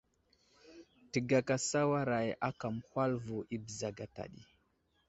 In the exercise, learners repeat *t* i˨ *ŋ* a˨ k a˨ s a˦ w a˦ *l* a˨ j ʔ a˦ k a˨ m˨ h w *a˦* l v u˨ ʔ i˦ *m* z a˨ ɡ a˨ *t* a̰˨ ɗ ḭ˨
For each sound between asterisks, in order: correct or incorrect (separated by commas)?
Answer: correct, incorrect, incorrect, correct, incorrect, correct